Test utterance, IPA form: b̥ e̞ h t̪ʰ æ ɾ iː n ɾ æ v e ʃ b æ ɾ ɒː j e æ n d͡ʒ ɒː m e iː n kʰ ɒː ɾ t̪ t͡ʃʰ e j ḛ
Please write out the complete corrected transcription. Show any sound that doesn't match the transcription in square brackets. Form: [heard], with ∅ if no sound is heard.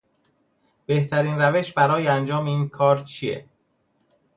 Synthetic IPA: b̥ e̞ h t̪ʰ æ ɾ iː n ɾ æ v e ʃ b æ ɾ ɒː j e æ n d͡ʒ ɒː m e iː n kʰ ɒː ɾ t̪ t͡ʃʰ [i] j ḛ